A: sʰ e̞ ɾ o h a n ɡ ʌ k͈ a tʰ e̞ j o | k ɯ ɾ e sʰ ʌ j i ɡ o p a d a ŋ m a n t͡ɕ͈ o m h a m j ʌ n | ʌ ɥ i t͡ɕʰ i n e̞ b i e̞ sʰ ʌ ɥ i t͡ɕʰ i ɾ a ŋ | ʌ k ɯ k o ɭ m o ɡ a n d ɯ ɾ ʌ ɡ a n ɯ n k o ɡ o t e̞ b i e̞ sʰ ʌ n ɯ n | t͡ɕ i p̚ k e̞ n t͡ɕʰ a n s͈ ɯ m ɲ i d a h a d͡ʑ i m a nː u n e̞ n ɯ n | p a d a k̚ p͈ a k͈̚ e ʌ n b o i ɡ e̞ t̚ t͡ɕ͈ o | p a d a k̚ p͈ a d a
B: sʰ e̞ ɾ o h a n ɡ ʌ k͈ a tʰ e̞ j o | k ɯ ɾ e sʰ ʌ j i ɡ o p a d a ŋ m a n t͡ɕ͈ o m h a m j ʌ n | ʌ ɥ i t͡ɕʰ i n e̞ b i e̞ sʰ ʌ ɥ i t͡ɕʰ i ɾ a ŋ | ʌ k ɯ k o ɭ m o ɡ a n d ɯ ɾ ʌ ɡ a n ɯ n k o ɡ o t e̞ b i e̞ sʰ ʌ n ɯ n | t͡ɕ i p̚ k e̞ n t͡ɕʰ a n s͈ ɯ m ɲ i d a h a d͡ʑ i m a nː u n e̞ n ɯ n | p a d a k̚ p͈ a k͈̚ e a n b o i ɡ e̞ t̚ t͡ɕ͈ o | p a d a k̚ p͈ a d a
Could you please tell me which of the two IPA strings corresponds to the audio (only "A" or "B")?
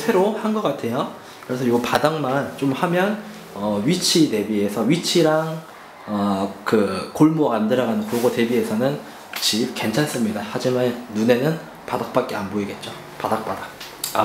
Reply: B